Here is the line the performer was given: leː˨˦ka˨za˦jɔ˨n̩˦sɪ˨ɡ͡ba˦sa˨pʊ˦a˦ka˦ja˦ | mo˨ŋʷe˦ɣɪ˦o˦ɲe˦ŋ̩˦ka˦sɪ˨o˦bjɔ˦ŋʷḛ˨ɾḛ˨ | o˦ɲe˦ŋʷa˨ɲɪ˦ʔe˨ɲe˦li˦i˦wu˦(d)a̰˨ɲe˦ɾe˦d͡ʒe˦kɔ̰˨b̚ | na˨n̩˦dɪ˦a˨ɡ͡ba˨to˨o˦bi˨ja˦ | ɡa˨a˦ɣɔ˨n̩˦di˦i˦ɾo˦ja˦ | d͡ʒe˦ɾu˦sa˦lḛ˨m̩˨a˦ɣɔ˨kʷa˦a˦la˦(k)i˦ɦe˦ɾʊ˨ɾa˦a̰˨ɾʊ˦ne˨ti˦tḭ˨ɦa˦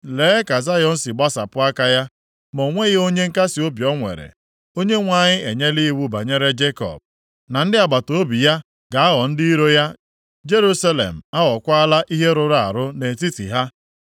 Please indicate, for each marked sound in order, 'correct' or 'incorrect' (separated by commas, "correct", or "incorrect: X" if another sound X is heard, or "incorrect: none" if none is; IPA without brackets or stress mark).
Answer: incorrect: b, incorrect: ʔ